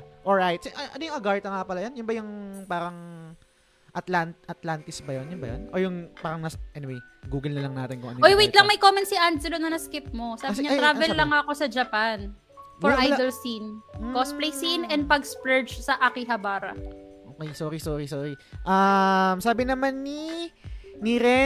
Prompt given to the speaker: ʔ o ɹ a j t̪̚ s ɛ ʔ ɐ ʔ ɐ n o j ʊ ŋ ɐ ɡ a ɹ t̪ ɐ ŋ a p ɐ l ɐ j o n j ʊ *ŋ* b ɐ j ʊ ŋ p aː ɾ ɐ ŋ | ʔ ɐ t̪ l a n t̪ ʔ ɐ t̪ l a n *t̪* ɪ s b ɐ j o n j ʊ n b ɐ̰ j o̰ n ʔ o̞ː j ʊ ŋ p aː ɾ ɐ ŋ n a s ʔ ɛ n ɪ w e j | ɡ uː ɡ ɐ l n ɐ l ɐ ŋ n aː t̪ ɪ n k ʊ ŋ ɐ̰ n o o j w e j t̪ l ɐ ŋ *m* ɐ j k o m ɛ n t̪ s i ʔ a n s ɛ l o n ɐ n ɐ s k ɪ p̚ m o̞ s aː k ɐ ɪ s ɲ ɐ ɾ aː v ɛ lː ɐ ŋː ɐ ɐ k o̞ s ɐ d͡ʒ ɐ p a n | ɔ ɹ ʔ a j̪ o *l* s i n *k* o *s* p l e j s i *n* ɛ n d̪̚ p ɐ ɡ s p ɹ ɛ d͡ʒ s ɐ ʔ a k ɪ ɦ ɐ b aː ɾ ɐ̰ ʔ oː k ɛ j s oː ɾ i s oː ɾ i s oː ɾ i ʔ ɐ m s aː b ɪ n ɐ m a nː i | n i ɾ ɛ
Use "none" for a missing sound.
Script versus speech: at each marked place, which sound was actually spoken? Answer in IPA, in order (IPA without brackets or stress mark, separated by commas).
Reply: n, t̪, m, l, k, s, n